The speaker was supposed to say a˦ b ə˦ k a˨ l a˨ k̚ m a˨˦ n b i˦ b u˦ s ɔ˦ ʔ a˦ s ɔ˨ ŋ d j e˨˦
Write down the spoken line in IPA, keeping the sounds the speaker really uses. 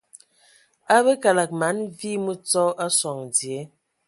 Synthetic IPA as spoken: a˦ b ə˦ k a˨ l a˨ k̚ m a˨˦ n v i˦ m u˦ t͡s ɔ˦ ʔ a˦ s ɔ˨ ŋ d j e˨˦